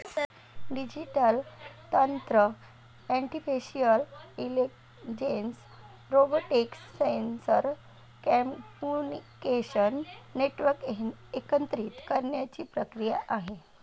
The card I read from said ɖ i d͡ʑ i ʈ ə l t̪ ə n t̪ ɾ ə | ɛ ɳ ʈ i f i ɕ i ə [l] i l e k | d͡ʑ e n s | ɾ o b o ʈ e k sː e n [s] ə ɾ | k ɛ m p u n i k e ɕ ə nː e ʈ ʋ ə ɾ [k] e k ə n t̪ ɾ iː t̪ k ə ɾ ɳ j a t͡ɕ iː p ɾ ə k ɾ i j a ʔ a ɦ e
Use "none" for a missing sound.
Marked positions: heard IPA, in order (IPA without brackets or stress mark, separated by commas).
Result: l, s, k